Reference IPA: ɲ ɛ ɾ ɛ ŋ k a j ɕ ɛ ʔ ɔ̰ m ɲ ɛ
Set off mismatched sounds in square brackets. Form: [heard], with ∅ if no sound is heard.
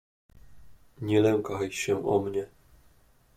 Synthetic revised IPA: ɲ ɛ [l] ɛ ŋ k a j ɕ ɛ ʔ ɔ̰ m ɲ ɛ